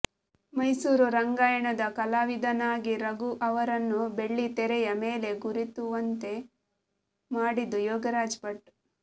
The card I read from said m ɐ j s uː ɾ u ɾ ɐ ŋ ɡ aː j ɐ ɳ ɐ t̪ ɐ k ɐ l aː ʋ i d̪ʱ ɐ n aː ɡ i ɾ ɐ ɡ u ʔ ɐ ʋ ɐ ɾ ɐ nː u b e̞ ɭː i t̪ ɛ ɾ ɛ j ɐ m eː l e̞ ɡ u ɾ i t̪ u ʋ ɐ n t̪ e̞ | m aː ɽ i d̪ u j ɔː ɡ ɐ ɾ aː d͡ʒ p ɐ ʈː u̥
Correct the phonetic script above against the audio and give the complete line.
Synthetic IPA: m ɐ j s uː ɾ u ɾ ɐ ŋ ɡ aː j ɐ ɳ ɐ d̪ ɐ k ɐ l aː ʋ i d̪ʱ ɐ n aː ɡ i ɾ ɐ ɡ u ʔ ɐ ʋ ɐ ɾ ɐ nː u b e̞ ɭː i t̪ ɛ ɾ ɛ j ɐ m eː l e̞ ɡ u ɾ i t̪ u ʋ ɐ n t̪ e̞ | m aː ɽ i d̪ u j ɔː ɡ ɐ ɾ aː d͡ʒ p ɐ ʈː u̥